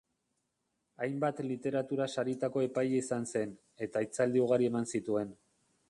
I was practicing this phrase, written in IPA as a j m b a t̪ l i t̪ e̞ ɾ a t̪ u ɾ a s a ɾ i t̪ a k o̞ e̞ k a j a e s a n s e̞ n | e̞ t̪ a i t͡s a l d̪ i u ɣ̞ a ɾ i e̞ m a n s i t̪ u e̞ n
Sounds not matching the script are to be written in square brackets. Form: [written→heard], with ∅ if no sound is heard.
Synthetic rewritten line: a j m b a t̪ l i t̪ e̞ ɾ a t̪ u ɾ a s a ɾ i t̪ a k o̞ e̞ [k→p] a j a [e→i] s a n s e̞ n | e̞ t̪ a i t͡s a l d̪ i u ɣ̞ a ɾ i e̞ m a n s i t̪ u e̞ n